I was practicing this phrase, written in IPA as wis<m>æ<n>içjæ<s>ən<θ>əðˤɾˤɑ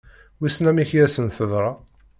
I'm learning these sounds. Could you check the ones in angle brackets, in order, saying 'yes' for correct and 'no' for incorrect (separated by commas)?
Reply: no, no, yes, yes